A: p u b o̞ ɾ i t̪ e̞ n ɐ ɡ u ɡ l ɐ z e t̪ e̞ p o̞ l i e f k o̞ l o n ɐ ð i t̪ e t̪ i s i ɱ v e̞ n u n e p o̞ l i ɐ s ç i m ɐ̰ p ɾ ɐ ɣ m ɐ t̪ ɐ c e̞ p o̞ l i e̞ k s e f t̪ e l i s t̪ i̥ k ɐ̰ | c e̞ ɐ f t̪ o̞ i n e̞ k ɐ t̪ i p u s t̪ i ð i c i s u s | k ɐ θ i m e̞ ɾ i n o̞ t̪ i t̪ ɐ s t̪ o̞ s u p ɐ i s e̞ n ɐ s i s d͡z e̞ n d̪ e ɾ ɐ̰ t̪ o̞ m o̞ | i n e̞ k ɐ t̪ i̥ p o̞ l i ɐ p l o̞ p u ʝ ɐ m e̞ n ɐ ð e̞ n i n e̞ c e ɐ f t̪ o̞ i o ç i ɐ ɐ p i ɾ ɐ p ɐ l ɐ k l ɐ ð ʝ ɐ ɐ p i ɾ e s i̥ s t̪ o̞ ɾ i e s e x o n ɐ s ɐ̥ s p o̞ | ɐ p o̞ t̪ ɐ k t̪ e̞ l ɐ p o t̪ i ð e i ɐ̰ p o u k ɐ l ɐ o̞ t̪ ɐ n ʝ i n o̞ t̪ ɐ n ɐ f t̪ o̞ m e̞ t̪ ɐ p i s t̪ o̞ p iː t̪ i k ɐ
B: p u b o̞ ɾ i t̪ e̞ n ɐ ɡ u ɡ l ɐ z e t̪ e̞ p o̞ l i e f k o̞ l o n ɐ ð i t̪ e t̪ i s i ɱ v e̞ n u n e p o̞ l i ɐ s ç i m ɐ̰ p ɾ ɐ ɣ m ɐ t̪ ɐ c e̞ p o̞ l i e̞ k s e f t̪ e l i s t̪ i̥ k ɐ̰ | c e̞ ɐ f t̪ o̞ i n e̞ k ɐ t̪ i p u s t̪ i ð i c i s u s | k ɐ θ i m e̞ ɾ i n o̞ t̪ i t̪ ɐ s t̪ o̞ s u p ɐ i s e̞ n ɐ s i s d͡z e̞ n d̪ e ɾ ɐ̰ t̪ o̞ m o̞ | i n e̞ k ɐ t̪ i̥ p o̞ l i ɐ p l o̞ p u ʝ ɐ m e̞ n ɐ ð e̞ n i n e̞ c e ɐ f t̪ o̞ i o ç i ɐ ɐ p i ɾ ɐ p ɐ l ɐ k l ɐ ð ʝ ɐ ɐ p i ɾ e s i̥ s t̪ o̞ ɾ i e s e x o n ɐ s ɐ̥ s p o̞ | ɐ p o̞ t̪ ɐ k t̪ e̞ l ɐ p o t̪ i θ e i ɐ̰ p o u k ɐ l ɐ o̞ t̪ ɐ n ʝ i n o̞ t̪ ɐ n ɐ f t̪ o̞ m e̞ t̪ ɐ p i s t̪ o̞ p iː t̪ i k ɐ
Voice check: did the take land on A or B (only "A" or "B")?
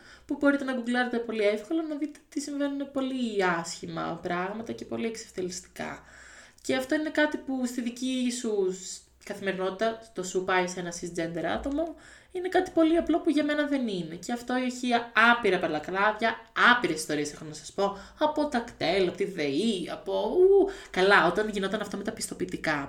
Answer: A